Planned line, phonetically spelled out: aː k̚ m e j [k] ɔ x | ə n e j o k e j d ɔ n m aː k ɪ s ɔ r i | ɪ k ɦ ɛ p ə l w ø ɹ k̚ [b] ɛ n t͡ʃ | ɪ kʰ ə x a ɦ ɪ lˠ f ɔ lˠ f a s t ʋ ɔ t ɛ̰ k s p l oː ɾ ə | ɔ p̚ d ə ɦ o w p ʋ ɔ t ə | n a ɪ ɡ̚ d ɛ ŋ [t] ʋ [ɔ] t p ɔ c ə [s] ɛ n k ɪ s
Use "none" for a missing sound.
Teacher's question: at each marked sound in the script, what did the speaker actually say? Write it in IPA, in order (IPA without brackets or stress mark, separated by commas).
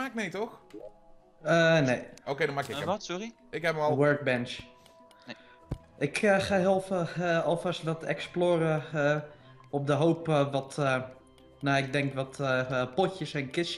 t, b, k, ɔ, s